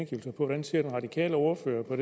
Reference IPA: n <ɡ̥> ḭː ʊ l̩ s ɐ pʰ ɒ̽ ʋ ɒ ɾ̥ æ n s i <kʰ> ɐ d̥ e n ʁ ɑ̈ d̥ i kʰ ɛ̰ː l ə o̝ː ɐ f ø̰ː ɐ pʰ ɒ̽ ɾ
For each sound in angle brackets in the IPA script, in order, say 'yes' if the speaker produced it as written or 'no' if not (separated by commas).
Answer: yes, no